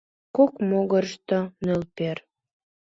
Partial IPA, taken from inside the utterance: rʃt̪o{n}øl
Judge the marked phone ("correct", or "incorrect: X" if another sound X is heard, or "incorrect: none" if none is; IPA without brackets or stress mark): correct